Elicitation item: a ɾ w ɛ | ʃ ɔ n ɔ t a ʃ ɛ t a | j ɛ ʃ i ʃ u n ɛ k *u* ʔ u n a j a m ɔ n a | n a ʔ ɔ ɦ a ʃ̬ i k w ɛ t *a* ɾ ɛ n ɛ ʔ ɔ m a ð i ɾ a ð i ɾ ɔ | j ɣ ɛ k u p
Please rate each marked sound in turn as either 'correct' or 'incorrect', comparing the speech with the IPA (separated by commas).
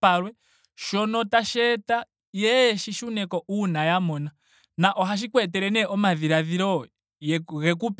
incorrect, incorrect